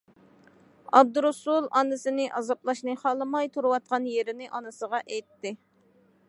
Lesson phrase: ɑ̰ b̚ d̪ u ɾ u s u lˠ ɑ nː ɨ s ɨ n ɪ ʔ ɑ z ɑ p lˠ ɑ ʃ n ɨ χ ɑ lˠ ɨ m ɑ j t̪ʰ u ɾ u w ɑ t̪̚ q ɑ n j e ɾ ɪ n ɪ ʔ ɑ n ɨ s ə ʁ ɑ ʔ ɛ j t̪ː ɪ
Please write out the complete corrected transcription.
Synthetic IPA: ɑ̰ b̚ d̪ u ɾ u s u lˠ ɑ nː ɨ s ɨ n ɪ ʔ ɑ z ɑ p lˠ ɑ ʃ n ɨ χ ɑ lˠ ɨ m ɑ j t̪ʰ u ɾ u w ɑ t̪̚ q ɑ n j e ɾ ɪ n ɪ ʔ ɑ n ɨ s ə ʁ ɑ ʔ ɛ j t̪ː ɪ